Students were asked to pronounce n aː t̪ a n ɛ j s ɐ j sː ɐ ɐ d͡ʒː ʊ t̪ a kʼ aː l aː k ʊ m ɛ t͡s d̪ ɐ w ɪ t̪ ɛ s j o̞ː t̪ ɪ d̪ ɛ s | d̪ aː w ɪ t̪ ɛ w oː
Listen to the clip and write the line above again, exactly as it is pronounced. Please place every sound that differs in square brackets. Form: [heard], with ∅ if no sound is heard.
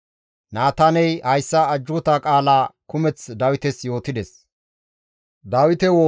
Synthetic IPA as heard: n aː t̪ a n ɛ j [h] ɐ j sː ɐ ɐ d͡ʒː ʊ t̪ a kʼ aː l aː k ʊ m ɛ t͡s d̪ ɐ w ɪ t̪ ɛ s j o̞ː t̪ ɪ d̪ ɛ s | d̪ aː w ɪ t̪ ɛ w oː

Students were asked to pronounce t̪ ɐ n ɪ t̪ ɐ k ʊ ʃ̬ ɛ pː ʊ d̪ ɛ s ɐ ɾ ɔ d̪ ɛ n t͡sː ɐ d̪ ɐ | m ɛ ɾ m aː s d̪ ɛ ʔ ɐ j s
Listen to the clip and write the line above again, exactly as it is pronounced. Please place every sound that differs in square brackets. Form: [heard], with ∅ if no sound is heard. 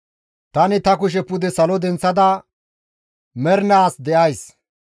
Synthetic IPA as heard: t̪ ɐ n ɪ t̪ ɐ k ʊ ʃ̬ ɛ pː ʊ d̪ ɛ s ɐ [l] ɔ d̪ ɛ n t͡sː ɐ d̪ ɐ | m ɛ ɾ [n] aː s d̪ ɛ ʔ ɐ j s

